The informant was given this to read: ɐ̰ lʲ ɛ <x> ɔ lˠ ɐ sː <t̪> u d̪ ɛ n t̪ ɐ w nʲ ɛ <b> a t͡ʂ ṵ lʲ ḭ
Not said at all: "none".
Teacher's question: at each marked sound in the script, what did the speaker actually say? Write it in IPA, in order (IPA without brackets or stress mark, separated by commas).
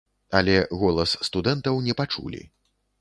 ɣ, t̪, p